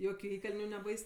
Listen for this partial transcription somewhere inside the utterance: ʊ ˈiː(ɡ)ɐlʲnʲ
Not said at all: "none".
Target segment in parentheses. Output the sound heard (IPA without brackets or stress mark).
k